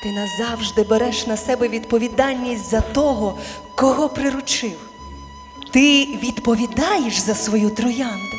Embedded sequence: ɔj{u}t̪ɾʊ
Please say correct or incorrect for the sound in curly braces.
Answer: correct